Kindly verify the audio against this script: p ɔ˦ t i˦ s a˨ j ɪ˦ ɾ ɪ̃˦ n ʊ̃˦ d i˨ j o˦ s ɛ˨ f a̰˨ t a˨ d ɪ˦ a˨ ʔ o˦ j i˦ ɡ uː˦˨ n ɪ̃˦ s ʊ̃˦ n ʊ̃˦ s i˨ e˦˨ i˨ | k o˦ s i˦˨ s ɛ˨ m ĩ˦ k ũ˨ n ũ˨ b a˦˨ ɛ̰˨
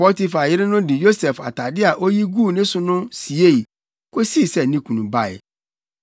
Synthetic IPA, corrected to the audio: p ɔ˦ t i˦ f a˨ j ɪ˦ ɾ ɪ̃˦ n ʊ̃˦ d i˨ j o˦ s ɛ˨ f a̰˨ t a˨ d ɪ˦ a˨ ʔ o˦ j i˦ ɡ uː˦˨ n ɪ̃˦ s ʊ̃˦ n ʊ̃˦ s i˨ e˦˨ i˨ | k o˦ s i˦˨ s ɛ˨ n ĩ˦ k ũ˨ n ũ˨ b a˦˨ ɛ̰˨